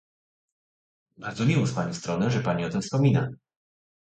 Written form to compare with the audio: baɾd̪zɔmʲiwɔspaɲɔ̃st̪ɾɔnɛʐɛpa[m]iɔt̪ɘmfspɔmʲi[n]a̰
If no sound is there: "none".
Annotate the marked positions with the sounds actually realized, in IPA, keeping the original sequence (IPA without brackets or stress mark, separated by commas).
ɲ, n